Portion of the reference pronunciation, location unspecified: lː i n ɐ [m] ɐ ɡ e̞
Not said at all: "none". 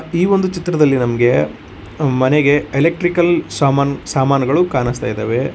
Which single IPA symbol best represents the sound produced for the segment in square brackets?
m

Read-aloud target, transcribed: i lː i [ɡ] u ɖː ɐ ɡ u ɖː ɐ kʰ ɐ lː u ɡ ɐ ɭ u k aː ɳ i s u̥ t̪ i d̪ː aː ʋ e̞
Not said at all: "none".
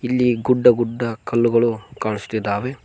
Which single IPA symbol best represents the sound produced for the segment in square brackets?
ɡ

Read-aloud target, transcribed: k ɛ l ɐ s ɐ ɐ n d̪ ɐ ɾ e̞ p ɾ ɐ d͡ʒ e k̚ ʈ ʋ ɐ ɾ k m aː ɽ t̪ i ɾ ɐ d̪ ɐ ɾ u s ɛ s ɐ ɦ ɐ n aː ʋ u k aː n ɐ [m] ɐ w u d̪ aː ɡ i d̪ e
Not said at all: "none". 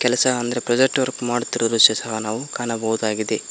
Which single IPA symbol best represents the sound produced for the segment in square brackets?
b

